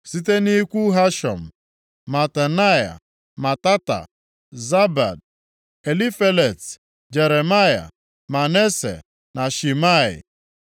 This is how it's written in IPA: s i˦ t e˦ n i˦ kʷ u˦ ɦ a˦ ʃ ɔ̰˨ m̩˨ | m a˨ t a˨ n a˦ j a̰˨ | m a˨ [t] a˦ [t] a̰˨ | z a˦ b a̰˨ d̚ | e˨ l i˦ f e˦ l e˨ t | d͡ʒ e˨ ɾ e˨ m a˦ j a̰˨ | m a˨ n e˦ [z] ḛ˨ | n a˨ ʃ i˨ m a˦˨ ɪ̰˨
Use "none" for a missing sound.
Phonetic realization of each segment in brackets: t, t, s

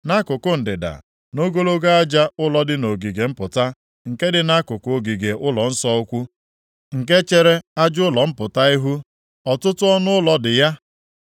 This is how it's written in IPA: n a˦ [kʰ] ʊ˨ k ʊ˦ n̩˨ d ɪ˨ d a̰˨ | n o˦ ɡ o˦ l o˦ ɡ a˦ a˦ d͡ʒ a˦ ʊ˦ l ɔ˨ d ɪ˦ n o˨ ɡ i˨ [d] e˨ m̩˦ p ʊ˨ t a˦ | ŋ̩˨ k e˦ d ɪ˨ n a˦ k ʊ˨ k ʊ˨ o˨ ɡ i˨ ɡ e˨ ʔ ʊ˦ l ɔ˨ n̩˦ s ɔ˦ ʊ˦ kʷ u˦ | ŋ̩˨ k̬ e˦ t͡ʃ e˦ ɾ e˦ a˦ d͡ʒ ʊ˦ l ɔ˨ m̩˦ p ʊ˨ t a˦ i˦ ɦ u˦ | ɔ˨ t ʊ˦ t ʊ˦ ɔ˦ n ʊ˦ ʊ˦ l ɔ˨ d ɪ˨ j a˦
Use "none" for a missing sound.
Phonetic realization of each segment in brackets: k, ɡ

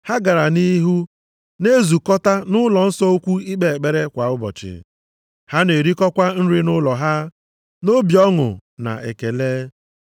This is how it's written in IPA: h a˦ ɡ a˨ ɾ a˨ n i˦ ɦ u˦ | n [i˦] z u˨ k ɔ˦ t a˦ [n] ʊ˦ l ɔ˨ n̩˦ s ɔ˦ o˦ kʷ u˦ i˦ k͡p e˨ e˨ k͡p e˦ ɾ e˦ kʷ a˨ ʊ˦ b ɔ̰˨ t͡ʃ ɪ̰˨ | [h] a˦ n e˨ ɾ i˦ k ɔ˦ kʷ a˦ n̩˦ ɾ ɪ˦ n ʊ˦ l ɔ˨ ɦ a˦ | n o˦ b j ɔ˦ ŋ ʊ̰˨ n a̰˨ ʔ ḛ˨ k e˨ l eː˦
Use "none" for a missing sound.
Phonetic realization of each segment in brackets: e˦, n, h

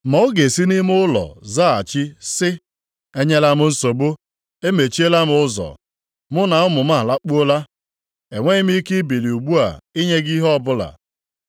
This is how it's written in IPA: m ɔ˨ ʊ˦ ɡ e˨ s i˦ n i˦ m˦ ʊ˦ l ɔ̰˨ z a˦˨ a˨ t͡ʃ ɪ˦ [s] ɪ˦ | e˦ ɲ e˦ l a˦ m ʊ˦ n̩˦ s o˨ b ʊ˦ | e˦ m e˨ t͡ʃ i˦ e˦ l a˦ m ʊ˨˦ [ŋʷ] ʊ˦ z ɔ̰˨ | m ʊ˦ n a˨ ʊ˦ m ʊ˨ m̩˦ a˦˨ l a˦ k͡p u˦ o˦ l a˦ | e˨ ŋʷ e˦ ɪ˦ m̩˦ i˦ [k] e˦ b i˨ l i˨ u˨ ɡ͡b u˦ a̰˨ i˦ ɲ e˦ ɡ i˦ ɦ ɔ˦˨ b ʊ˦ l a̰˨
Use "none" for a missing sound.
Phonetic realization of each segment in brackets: s, none, k

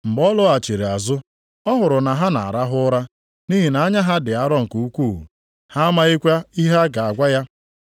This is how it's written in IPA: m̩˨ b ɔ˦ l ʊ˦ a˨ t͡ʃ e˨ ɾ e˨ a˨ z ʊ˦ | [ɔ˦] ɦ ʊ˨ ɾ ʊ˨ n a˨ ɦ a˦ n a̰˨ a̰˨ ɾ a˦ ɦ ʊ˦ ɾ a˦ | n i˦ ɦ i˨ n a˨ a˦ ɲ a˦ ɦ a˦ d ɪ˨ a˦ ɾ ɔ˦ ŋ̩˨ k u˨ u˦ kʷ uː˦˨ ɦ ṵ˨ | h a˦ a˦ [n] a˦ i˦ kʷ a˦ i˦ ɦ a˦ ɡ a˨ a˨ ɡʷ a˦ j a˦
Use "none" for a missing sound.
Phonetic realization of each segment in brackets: ɔ˦, m

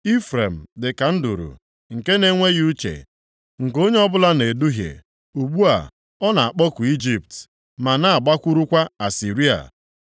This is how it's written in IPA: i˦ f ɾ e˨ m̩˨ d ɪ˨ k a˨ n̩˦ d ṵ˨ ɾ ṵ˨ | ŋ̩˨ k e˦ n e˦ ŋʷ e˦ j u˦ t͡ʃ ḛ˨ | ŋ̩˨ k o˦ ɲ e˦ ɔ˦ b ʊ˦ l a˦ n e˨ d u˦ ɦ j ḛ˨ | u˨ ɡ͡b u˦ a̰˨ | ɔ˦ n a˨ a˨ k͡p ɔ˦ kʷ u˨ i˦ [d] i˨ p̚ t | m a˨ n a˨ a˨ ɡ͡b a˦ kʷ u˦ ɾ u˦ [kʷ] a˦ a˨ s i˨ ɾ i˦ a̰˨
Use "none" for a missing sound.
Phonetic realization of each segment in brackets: d͡ʒ, kʷ

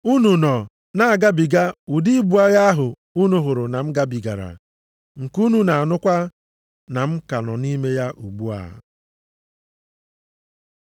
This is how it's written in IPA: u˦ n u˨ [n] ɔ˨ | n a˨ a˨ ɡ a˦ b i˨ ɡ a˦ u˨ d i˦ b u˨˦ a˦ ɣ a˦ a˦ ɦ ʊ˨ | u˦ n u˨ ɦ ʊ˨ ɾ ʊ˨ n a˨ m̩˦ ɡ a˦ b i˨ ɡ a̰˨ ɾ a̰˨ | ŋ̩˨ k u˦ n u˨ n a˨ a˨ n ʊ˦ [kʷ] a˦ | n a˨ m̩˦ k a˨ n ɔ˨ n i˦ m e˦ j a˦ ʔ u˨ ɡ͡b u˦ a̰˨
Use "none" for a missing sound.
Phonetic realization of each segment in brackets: n, kʷ

